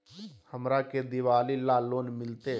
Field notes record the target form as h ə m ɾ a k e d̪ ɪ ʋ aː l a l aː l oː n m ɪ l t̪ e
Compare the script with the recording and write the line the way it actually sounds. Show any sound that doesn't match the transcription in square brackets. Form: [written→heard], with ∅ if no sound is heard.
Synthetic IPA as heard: h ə m ɾ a k e d̪ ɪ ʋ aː l [a→i] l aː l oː n m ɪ l t̪ e